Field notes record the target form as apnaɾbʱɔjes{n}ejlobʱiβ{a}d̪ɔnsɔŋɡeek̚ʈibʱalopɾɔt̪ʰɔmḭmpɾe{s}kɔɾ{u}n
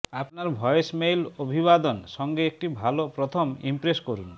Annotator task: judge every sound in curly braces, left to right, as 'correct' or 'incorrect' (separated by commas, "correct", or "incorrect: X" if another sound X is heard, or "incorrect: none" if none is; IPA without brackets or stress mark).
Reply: incorrect: m, correct, correct, correct